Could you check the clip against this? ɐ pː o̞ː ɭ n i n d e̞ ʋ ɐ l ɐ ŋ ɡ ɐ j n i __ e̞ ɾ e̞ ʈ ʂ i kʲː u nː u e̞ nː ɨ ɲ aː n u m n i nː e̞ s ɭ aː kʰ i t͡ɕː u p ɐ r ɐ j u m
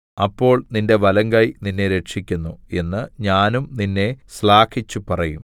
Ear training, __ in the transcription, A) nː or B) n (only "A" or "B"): A